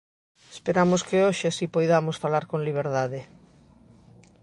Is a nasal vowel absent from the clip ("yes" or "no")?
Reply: yes